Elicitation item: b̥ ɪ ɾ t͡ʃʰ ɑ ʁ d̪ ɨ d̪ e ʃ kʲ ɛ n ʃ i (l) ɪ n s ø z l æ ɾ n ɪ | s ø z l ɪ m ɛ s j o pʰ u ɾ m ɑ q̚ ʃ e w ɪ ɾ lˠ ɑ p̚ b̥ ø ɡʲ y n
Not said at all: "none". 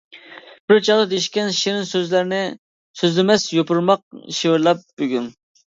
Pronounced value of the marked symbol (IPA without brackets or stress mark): ɾ